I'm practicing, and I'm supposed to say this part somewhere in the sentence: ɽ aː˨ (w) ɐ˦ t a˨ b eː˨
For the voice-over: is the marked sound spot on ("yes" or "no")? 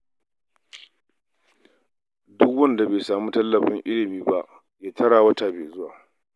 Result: yes